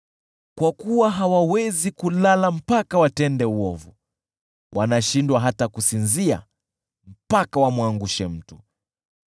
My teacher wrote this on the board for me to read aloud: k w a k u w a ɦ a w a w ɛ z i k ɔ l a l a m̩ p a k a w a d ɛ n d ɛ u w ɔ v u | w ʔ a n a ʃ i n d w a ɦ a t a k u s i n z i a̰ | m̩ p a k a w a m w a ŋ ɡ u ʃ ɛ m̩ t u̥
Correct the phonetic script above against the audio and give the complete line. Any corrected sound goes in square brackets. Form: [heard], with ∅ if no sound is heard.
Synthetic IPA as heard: k w a k u w a ɦ a w a w ɛ z i k [u] l a l a m̩ p a k a w a [t] ɛ n d ɛ u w ɔ v u | w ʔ a n a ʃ i n d w a ɦ a t a k u s i n z i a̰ | m̩ p a k a w a m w a ŋ ɡ u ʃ ɛ m̩ t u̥